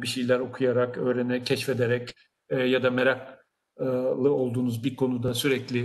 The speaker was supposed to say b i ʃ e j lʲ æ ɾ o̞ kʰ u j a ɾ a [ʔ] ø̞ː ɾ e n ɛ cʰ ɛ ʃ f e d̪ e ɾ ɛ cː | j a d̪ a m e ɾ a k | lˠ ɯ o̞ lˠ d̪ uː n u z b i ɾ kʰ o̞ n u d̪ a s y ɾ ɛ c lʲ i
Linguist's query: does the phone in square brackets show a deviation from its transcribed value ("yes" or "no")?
yes